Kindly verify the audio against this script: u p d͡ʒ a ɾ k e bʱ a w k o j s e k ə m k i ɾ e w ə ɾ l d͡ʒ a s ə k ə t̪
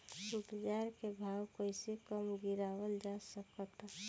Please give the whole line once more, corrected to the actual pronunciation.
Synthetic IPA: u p d͡ʒ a ɾ k e bʱ a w k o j s e k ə m ɡ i ɾ a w ə l d͡ʒ a s ə k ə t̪